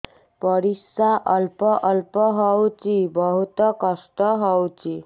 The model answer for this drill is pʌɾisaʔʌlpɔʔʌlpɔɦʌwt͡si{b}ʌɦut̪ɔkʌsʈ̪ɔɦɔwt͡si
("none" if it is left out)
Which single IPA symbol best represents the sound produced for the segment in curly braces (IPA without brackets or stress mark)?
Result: b